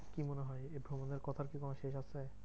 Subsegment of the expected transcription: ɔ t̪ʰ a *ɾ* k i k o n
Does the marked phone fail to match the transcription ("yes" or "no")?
no